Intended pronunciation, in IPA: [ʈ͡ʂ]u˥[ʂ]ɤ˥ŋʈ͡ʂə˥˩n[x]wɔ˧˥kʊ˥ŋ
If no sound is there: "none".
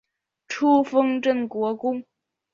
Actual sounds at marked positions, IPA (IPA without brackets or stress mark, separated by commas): ʈ͡ʂʰ, f, k